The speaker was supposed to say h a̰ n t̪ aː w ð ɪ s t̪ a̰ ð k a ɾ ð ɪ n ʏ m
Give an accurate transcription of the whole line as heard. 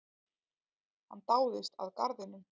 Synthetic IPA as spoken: h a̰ n t̪ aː w ð ɪ s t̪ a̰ ð k a ɾ ð ɪ n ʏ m